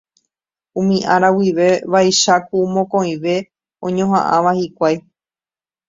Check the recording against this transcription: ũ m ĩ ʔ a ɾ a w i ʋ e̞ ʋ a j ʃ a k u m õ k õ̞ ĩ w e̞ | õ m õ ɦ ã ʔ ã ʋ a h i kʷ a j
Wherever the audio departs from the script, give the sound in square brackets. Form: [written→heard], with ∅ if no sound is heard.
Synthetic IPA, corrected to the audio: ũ m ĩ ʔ a ɾ a w i ʋ e̞ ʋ a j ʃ a k u m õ k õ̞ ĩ [w→ʋ] e̞ | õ [m→ɲ] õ ɦ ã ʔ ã ʋ a h i kʷ a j